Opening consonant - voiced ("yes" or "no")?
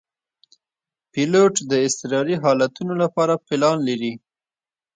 no